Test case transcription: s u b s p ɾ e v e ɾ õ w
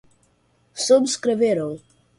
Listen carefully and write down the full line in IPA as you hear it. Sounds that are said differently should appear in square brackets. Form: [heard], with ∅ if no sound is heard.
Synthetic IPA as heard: s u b s [k] ɾ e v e ɾ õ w